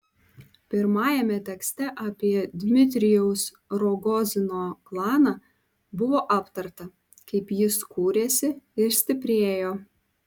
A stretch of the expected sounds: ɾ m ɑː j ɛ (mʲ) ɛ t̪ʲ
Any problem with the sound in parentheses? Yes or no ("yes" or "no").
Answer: no